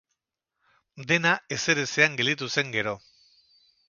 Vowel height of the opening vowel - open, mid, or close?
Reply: mid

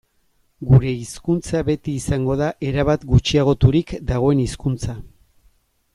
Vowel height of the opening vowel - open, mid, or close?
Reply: close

